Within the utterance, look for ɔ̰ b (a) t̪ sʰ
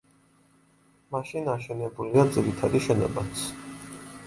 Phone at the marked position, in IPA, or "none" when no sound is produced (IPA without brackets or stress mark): a